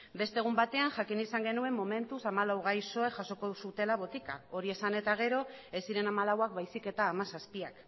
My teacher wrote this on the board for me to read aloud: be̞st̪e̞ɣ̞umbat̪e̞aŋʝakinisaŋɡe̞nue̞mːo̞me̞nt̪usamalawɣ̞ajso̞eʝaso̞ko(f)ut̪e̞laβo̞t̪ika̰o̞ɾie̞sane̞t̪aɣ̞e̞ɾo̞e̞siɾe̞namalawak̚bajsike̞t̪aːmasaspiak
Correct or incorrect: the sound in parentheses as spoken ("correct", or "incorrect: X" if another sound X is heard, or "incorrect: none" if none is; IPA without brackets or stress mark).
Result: incorrect: s